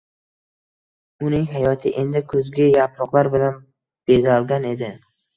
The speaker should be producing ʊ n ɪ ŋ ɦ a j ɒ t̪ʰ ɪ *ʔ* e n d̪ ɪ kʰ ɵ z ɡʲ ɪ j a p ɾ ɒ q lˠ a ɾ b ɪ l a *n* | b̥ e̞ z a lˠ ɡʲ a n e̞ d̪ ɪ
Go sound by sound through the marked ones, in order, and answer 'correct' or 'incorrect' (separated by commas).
correct, correct